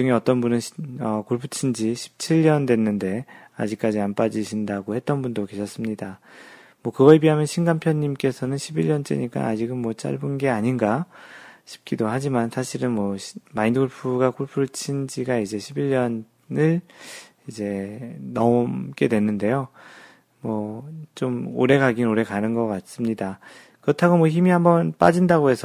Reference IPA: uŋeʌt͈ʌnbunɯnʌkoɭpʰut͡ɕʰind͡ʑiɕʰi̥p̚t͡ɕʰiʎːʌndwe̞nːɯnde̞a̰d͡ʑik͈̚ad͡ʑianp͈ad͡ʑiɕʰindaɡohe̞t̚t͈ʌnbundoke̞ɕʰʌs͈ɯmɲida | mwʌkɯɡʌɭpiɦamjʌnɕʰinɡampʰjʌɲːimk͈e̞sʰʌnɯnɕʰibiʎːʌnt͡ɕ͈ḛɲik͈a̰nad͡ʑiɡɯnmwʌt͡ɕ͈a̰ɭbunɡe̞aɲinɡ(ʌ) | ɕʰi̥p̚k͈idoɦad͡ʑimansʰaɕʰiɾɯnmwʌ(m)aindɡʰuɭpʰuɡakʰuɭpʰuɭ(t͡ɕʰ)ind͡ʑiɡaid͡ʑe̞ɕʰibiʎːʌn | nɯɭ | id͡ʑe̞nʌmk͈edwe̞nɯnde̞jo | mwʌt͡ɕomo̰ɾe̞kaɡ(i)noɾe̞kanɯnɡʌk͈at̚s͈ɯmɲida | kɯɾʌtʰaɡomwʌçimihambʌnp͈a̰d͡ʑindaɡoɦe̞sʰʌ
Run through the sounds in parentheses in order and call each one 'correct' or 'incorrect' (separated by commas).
incorrect, correct, correct, correct